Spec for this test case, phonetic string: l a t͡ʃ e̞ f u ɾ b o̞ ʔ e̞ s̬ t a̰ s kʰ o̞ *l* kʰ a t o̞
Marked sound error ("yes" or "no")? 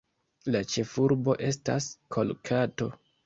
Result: no